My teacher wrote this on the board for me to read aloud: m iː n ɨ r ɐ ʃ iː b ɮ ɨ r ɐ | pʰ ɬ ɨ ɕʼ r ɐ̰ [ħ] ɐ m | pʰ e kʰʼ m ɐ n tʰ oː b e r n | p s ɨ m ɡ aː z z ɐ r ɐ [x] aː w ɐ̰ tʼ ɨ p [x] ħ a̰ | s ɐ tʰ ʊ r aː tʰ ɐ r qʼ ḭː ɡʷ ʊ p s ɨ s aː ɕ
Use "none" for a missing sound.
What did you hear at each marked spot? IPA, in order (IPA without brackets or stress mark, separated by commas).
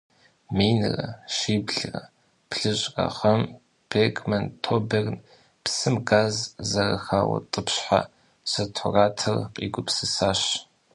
χ, x, ɕ